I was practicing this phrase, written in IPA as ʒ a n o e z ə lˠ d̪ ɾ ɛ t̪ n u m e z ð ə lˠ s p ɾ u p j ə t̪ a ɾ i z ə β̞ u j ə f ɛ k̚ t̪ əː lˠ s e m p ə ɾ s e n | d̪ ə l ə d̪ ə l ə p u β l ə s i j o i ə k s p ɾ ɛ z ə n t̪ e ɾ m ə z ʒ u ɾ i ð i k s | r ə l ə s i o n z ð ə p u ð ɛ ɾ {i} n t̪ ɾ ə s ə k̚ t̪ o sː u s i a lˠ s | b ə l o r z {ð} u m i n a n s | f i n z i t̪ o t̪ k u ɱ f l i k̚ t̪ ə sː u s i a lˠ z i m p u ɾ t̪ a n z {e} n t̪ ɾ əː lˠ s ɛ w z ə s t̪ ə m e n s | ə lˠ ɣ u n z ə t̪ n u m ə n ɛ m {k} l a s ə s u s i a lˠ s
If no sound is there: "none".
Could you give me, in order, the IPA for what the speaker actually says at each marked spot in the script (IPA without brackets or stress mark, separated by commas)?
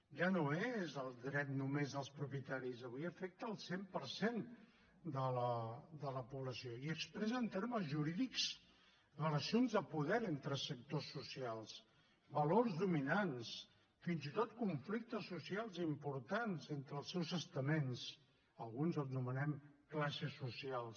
e, ð, e, k